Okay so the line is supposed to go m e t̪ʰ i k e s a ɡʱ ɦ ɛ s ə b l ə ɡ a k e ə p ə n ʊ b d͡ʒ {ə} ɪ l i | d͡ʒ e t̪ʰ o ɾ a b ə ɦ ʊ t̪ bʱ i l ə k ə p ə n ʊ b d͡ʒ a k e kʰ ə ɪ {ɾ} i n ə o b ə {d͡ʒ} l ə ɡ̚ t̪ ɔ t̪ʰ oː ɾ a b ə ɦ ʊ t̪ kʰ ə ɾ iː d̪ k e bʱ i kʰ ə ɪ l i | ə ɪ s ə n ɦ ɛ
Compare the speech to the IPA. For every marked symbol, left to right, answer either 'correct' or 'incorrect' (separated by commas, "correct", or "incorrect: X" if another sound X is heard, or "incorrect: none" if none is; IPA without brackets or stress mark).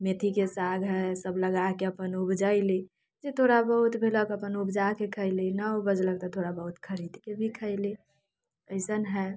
incorrect: a, incorrect: l, correct